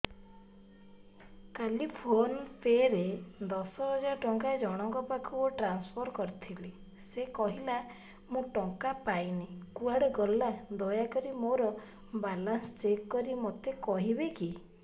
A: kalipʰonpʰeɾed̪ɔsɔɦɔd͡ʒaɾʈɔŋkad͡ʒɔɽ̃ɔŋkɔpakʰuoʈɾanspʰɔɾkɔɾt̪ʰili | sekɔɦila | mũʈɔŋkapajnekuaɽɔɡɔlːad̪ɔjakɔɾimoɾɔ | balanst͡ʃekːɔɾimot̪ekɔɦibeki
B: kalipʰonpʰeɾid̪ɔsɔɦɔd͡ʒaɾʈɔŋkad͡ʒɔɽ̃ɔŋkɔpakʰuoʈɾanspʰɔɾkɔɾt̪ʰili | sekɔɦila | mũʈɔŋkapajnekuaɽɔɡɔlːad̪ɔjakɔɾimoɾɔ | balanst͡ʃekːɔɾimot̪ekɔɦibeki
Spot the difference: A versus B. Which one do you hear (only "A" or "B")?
A